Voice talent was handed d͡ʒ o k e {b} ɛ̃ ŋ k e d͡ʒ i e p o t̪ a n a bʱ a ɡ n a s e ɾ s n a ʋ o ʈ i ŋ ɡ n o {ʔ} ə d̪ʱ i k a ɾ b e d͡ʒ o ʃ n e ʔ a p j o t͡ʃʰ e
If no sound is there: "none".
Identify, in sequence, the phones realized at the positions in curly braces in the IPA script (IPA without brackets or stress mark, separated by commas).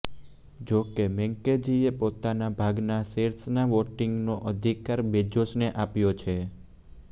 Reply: m, ʔ